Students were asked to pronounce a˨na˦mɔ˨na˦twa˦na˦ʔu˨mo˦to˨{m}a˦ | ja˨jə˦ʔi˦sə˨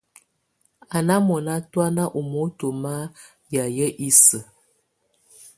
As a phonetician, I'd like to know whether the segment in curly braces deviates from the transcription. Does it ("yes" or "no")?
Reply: no